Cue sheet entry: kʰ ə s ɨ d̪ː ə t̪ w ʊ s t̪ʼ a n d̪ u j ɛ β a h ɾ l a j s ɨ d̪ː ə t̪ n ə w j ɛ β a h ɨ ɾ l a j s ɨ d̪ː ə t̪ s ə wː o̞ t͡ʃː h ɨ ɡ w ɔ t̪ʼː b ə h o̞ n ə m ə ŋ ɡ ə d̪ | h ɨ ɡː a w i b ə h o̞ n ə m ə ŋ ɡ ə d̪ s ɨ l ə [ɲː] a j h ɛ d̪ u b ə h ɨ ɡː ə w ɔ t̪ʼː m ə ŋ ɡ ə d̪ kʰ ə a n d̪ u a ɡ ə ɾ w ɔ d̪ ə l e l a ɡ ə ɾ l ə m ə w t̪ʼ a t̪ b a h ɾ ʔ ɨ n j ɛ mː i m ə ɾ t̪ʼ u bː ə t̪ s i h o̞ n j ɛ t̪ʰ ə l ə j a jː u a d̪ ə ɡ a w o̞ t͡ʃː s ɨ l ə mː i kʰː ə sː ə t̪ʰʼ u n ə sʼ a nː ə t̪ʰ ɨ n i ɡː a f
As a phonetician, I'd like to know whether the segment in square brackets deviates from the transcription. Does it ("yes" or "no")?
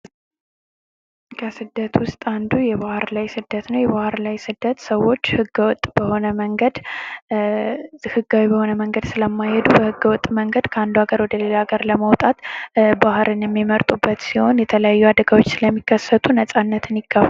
yes